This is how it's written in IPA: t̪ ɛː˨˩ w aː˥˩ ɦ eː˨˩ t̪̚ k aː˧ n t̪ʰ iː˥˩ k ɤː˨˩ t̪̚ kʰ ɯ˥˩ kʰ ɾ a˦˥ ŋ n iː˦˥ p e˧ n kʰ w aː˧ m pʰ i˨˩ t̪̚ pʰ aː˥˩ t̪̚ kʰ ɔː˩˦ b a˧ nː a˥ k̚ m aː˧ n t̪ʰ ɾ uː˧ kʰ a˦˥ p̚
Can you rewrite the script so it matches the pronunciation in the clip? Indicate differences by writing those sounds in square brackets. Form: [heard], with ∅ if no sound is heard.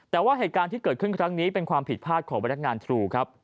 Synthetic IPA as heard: t̪ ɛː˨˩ w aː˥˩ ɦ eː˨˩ t̪̚ k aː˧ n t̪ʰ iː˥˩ k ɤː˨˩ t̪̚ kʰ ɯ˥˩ kʰ ɾ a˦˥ ŋ n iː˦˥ p e˧ n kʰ w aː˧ m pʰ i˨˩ t̪̚ pʰ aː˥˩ t̪̚ kʰ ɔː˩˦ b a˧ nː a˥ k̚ [ŋ] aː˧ n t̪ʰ ɾ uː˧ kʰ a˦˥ p̚